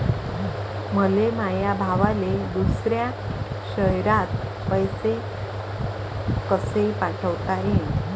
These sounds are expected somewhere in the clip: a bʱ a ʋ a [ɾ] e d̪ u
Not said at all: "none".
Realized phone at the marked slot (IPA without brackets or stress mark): l